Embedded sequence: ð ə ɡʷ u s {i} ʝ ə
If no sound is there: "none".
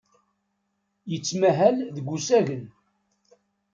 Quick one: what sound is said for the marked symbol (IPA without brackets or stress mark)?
æ